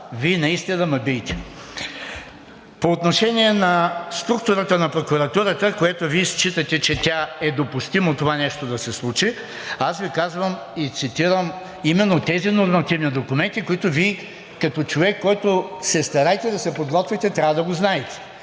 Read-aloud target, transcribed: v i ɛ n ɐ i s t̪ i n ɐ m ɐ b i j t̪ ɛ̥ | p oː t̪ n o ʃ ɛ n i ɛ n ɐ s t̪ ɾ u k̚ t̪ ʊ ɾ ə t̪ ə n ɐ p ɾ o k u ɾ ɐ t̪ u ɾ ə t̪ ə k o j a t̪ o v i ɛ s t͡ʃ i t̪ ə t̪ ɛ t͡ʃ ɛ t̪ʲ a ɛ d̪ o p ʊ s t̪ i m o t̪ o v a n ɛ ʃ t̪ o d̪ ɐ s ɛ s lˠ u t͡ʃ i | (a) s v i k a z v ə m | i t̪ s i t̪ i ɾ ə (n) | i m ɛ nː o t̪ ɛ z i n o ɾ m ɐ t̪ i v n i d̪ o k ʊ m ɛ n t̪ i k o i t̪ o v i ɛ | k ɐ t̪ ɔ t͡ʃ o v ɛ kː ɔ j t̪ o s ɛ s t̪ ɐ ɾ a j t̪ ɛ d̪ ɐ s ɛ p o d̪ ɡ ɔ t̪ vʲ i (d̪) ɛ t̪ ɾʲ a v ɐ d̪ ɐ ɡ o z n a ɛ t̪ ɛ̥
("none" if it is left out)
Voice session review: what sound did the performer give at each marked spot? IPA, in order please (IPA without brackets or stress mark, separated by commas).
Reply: a, m, t̪